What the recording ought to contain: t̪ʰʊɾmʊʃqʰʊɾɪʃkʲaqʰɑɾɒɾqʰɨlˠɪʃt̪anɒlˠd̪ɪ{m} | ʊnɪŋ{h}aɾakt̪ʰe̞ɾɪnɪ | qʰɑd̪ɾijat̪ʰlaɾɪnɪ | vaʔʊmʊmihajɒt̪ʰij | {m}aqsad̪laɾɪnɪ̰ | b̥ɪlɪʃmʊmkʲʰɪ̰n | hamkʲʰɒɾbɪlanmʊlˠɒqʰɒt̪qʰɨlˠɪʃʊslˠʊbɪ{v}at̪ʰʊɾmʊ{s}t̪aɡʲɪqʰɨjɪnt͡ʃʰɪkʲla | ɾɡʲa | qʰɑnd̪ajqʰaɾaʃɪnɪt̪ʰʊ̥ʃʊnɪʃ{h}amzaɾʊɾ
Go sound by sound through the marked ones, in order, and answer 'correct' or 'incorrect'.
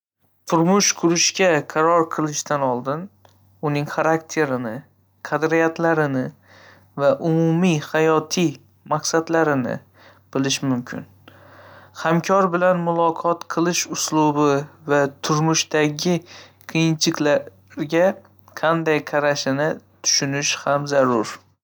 incorrect: n, incorrect: χ, correct, correct, incorrect: ʃ, correct

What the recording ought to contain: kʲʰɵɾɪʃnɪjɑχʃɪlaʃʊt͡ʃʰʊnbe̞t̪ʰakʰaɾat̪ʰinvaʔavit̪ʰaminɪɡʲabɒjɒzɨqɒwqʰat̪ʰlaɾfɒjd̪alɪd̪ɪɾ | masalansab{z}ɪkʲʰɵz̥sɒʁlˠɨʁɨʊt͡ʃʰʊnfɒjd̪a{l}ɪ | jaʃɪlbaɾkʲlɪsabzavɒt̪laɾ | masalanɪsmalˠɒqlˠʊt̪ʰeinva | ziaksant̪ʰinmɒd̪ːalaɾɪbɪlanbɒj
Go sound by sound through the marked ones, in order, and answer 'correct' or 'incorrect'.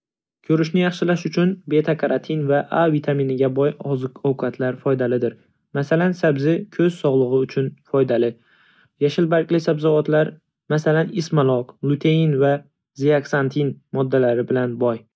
correct, correct

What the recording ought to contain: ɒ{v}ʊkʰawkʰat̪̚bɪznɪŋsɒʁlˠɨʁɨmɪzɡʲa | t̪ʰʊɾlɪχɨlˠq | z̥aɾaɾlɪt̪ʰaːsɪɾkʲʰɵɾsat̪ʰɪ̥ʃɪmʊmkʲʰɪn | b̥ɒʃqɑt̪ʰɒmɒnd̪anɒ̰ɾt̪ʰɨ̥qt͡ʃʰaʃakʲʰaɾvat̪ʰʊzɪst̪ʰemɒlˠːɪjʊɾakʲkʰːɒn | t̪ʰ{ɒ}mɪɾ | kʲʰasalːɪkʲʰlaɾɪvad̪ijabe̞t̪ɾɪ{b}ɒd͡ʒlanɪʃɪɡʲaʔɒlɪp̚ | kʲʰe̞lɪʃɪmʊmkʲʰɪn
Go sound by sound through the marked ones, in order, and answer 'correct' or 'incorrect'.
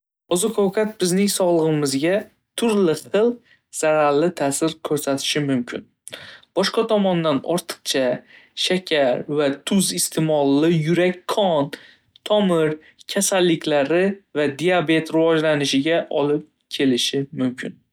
incorrect: z, correct, incorrect: v

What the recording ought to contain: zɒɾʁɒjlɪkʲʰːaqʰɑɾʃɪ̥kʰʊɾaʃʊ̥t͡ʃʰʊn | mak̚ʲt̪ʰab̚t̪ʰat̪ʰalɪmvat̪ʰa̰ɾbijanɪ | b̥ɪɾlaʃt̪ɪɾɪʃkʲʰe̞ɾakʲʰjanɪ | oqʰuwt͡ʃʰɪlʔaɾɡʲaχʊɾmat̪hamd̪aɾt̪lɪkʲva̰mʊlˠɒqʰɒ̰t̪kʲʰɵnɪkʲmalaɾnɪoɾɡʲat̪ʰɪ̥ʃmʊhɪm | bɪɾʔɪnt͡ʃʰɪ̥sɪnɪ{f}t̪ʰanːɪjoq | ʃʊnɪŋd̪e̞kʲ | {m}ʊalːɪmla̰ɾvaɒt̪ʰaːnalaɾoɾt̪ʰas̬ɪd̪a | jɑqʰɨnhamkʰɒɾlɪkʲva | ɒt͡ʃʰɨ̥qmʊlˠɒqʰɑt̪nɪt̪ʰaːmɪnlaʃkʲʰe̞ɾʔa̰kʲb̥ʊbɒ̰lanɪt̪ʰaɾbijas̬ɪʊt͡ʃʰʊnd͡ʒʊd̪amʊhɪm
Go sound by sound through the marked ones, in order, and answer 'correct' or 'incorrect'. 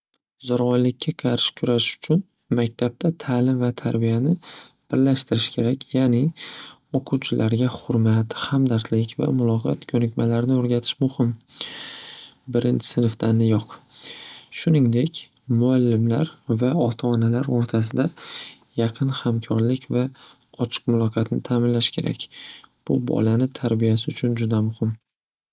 correct, correct

